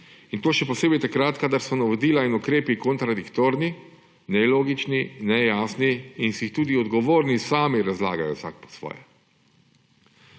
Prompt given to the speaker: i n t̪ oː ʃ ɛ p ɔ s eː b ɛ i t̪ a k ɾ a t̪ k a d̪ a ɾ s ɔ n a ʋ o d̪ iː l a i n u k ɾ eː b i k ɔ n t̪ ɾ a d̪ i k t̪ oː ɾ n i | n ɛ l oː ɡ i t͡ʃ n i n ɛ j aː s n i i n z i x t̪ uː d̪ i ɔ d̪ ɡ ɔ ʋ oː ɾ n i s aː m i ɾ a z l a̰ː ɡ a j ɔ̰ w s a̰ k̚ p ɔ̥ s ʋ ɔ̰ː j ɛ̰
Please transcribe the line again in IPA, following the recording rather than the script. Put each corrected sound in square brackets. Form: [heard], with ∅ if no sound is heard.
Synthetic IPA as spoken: i n t̪ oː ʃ ɛ p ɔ s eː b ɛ [j] t̪ a k ɾ a t̪ k a d̪ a ɾ s ɔ n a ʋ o d̪ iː l a i n u k ɾ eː [p] i k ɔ n t̪ ɾ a d̪ i k t̪ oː ɾ n i | n ɛ l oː ɡ i t͡ʃ n i n ɛ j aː s n i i n [s] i x t̪ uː d̪ i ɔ d̪ ɡ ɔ ʋ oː ɾ n i s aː m i ɾ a z l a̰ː ɡ a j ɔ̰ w s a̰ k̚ p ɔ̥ s ʋ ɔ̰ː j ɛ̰